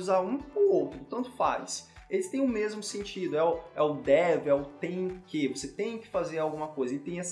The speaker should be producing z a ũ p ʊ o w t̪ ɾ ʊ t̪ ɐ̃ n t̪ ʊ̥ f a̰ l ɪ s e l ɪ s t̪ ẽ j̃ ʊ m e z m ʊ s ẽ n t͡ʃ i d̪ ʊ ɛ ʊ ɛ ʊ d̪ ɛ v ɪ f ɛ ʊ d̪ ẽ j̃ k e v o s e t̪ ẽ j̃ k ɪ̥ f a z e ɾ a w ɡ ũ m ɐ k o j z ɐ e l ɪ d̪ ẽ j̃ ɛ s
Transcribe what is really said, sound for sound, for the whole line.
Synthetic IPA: z a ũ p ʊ o w t̪ ɾ ʊ t̪ ɐ̃ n t̪ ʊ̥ f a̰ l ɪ s e l ɪ s t̪ ẽ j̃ ʊ m e z m ʊ s ẽ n t͡ʃ i d̪ ʊ ɛ ʊ ɛ ʊ d̪ ɛ v ɪ ɛ ʊ t̪ ẽ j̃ k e v o s e t̪ ẽ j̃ k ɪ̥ f a z e ɾ a w ɡ ũ m ɐ k o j z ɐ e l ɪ t̪ ẽ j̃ ɛ s